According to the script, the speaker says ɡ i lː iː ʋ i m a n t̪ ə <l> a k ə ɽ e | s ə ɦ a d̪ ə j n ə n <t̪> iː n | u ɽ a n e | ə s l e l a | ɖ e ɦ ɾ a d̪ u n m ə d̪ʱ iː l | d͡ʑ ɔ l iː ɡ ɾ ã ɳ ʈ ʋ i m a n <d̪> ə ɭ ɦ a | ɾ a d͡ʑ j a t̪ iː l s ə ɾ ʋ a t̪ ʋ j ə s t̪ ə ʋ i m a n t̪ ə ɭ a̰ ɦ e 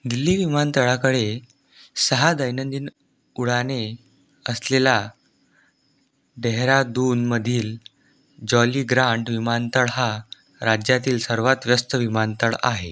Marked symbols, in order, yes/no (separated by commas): no, no, no